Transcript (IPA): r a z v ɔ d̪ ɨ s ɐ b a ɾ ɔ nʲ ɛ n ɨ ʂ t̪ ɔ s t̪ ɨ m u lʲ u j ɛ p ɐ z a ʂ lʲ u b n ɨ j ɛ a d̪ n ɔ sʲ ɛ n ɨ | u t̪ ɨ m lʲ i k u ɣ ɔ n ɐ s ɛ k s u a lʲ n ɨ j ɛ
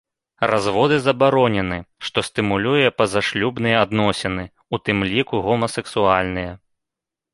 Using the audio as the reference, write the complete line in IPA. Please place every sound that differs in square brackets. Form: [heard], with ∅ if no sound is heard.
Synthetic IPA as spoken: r a z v ɔ d̪ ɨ [z] ɐ b a ɾ ɔ nʲ ɛ n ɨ ʂ t̪ ɔ s t̪ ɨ m u lʲ u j ɛ p ɐ z a ʂ lʲ u b n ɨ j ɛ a d̪ n ɔ sʲ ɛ n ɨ | u t̪ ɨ m lʲ i k u ɣ ɔ [m] ɐ s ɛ k s u a lʲ n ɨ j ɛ